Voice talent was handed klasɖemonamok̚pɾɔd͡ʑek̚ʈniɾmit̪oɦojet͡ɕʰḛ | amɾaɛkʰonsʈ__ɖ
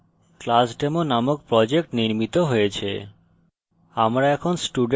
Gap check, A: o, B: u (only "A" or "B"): B